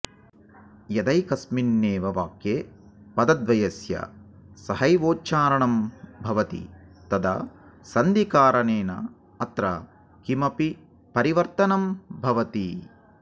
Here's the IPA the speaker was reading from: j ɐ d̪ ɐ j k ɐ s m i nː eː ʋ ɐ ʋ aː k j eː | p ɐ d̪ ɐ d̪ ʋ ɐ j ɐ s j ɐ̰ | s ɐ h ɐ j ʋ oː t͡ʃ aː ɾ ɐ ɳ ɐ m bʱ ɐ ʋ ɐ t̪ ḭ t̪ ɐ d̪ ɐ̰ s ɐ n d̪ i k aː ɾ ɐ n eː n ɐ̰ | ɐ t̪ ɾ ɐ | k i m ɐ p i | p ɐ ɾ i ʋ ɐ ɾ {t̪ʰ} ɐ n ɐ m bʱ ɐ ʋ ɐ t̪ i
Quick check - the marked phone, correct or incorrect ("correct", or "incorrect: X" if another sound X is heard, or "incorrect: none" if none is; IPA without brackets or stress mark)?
incorrect: t̪